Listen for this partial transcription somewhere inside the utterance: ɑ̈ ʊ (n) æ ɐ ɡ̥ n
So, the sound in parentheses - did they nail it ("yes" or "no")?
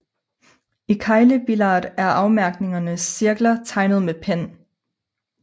no